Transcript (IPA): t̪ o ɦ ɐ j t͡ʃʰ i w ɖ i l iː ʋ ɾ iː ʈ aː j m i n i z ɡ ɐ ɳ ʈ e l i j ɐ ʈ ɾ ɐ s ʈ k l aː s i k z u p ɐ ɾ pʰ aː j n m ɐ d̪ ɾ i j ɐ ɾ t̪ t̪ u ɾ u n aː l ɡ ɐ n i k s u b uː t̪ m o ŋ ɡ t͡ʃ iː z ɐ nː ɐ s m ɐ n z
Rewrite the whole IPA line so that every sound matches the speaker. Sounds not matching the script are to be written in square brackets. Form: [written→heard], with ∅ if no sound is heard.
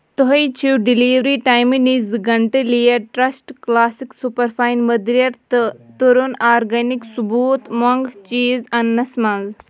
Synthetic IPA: t̪ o ɦ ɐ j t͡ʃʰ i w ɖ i l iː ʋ ɾ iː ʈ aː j m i n i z ɡ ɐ ɳ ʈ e l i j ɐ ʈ ɾ ɐ s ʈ k l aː s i k [z→s] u p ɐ ɾ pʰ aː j n m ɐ d̪ ɾ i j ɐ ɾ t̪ t̪ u ɾ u n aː [l→ɾ] ɡ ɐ n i k s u b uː t̪ m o ŋ ɡ t͡ʃ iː z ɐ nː ɐ s m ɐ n z

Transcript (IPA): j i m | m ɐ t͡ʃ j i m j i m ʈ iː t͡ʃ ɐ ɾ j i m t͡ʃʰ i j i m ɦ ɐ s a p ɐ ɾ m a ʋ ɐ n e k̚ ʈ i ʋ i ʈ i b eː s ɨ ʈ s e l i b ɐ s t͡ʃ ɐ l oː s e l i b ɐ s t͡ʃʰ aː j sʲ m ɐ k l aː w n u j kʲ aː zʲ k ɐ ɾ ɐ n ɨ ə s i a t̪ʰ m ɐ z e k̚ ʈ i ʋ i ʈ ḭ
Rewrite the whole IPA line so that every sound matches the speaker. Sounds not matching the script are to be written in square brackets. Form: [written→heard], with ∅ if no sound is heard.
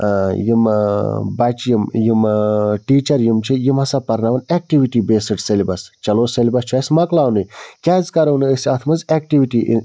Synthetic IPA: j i m | [m→b] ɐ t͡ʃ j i m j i m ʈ iː t͡ʃ ɐ ɾ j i m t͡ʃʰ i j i m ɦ ɐ s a p ɐ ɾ [m→n] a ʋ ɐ n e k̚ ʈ i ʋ i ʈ i b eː s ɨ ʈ s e l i b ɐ s t͡ʃ ɐ l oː s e l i b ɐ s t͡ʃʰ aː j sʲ m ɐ k l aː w n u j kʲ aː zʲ k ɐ ɾ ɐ n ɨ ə s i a t̪ʰ m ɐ z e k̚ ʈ i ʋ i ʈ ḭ

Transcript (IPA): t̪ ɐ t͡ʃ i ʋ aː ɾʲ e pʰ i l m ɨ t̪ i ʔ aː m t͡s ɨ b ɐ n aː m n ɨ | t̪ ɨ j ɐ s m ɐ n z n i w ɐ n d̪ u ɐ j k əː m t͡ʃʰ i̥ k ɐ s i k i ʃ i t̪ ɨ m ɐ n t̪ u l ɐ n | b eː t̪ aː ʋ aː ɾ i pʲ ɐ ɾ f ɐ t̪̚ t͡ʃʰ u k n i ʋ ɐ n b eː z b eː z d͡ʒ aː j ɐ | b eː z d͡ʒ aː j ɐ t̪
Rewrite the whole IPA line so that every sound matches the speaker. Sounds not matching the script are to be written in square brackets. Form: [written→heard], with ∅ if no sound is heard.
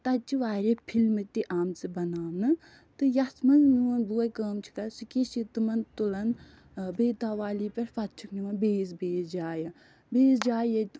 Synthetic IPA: t̪ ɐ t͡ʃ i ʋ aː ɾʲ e pʰ i l m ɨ t̪ i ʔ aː m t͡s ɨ b ɐ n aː m n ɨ | t̪ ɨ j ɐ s m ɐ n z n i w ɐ n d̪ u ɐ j k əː m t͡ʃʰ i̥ k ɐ s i k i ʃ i t̪ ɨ m ɐ n t̪ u l ɐ n | b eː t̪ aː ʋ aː [ɾ→l] i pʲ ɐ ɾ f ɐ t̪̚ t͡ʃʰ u k n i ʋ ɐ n b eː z b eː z d͡ʒ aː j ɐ | b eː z d͡ʒ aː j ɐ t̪

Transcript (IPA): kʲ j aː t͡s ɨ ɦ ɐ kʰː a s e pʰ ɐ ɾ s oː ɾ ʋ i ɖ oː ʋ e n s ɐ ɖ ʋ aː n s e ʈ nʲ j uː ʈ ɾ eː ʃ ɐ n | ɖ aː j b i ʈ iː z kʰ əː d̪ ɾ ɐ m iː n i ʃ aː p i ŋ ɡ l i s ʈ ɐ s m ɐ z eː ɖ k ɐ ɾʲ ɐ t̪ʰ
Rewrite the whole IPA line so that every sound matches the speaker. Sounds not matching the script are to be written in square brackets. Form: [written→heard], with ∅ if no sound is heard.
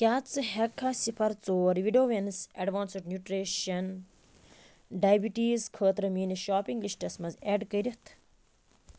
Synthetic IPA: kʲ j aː t͡s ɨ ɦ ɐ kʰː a s [e→i] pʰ ɐ ɾ [s→t͡s] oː ɾ ʋ i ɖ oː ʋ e n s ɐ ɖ ʋ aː n s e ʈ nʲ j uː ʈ ɾ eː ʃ ɐ n | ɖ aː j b i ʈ iː z kʰ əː [d̪→t̪] ɾ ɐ m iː n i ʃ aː p i ŋ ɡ l i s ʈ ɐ s m ɐ z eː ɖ k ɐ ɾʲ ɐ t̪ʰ

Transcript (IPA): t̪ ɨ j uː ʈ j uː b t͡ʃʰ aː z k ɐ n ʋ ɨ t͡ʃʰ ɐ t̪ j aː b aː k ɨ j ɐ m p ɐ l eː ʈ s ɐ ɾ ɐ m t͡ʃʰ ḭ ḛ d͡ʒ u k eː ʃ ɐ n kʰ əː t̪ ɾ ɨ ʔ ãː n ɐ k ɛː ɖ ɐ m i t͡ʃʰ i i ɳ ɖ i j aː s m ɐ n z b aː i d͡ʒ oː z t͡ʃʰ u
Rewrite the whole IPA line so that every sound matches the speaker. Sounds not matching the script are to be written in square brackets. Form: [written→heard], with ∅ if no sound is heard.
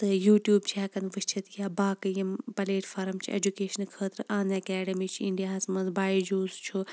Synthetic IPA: t̪ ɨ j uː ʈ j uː b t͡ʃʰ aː [z→∅] k ɐ n ʋ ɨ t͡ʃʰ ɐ t̪ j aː b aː k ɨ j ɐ m p ɐ l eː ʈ [s→f] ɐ ɾ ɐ m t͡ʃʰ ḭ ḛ d͡ʒ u k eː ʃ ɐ n kʰ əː t̪ ɾ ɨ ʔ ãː n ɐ k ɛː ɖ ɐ m i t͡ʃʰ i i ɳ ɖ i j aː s m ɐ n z b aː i d͡ʒ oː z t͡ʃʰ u

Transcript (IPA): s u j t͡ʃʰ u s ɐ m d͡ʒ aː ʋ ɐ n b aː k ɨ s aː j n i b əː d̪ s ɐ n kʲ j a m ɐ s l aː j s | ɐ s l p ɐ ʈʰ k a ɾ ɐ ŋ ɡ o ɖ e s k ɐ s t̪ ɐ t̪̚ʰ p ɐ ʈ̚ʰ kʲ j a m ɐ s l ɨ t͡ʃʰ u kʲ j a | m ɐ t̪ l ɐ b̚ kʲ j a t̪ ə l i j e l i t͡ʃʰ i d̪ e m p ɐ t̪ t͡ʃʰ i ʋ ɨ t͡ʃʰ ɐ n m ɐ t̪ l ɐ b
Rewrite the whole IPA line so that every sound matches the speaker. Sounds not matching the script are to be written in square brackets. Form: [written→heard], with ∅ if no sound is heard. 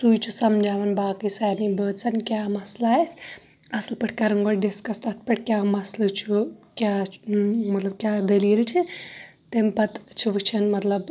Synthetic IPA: s u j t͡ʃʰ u s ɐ m d͡ʒ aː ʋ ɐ n b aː k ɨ s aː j n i b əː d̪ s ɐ n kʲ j a m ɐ s l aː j s | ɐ s l p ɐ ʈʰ k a ɾ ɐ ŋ ɡ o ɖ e s k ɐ s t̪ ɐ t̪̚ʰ p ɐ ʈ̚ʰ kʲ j a m ɐ s l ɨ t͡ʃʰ u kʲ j a | m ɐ t̪ l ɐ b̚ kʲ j a [t̪→d̪] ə l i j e l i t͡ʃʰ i [d̪→t̪] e m p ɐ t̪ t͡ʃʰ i ʋ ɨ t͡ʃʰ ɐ n m ɐ t̪ l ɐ b

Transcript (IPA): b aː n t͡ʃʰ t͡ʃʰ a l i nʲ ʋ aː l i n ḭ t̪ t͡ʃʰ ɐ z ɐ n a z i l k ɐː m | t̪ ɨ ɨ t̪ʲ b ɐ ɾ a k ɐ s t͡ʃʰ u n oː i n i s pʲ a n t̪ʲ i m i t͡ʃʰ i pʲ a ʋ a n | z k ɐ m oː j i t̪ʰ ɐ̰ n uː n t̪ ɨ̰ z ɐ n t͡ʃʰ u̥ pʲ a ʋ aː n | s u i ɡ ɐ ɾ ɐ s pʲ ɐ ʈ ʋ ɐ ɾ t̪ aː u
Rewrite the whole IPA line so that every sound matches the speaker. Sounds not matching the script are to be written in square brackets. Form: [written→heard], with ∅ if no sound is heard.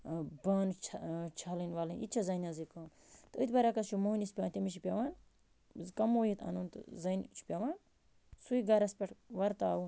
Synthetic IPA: b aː n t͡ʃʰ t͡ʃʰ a l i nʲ ʋ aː l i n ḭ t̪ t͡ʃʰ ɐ z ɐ n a z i [l→∅] k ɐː m | t̪ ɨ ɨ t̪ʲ b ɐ ɾ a k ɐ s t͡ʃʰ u [n→m] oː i n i s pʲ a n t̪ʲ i m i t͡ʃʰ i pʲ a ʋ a n | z k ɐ m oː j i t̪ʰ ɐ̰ n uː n t̪ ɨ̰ z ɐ n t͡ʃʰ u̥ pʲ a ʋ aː n | s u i ɡ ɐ ɾ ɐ s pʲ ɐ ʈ ʋ ɐ ɾ t̪ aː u

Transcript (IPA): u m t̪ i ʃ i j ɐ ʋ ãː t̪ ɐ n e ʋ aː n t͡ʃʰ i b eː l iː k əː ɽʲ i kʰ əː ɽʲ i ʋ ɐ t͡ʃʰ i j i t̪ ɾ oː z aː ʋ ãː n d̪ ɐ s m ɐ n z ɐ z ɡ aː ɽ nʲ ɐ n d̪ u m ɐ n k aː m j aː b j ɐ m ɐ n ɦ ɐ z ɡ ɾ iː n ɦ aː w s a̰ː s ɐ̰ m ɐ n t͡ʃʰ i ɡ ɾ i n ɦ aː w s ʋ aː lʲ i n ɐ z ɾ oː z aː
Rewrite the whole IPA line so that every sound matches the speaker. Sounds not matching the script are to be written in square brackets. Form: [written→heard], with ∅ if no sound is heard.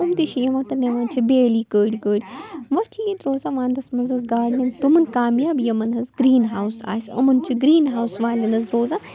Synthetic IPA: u m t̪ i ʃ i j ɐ ʋ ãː t̪ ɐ n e ʋ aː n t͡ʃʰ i b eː l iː k əː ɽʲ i [kʰ→k] əː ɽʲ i ʋ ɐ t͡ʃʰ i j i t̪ ɾ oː z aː ʋ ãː n d̪ ɐ s m ɐ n z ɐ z ɡ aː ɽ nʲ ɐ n [d̪→t̪] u m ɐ n k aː m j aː b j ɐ m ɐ n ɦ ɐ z ɡ ɾ iː n ɦ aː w s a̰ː s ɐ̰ m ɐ n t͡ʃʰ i ɡ ɾ [i→iː] n ɦ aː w s ʋ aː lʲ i n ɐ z ɾ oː z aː

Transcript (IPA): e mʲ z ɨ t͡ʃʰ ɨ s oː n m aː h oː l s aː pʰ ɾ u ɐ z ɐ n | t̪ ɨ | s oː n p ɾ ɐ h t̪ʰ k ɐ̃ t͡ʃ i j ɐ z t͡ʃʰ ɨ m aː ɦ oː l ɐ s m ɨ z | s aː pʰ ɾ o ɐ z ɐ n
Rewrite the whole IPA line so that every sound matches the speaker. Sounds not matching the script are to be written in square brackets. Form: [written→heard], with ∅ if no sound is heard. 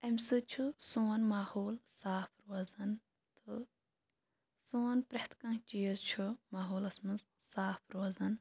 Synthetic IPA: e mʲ [z→s] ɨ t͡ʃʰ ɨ s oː n m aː h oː l s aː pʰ ɾ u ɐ z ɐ n | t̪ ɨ | s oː n p ɾ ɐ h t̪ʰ k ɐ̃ t͡ʃ i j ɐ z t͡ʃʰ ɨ m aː ɦ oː l ɐ s m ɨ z | s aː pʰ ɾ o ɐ z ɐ n

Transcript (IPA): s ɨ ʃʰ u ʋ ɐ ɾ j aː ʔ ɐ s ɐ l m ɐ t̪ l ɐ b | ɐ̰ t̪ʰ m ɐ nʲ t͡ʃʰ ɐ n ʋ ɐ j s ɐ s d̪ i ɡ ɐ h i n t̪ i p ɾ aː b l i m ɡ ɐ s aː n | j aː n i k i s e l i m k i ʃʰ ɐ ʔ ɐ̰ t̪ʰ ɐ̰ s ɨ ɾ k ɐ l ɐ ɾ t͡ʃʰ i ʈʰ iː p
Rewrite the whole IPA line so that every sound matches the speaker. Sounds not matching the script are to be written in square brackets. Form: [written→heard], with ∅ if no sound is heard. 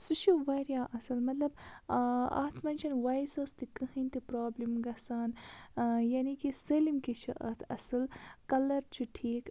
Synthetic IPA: s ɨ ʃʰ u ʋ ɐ ɾ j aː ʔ ɐ s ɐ l m ɐ t̪ l ɐ b | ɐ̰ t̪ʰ m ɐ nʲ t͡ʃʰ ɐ n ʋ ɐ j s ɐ s [d̪→t̪] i [ɡ→k] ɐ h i n t̪ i p ɾ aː b l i m ɡ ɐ s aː n | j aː n i k i s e l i m k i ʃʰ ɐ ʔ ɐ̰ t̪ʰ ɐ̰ s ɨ [ɾ→l] k ɐ l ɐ ɾ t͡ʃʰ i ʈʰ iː [p→k]

